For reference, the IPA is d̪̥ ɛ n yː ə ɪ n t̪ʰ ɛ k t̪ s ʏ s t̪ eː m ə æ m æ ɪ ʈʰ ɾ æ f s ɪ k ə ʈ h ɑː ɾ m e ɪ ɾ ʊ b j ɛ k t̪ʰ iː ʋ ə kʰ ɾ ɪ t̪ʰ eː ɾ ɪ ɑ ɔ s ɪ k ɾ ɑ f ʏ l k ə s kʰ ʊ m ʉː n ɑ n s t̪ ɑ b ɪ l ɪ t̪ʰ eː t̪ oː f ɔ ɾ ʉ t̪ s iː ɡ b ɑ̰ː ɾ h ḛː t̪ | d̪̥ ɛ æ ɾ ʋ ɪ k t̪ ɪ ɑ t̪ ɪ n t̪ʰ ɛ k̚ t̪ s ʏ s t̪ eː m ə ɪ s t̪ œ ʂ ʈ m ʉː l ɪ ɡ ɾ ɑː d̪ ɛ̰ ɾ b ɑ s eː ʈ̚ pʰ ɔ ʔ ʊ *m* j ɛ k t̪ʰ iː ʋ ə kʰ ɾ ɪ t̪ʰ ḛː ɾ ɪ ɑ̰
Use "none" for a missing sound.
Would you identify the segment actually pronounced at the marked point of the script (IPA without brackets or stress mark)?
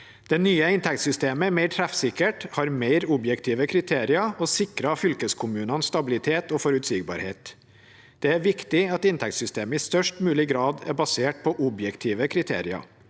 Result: b